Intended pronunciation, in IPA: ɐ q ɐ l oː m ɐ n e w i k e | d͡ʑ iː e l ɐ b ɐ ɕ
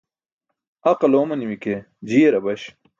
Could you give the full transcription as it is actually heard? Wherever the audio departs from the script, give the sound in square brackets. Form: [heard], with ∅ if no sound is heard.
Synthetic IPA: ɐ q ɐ l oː m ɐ n [i] w i k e | d͡ʑ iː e [ɾ] ɐ b ɐ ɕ